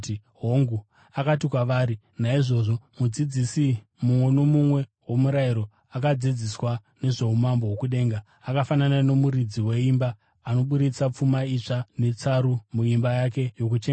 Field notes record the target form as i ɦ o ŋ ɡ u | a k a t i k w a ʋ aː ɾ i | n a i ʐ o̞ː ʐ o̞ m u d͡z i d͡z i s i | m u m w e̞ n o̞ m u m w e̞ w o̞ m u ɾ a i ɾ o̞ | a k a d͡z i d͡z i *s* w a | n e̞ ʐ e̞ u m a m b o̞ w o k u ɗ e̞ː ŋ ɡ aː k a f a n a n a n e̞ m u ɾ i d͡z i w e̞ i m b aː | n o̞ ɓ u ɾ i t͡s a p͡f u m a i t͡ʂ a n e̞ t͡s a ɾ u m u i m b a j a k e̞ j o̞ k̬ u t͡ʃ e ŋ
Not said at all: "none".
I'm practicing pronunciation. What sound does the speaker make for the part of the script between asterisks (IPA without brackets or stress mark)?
s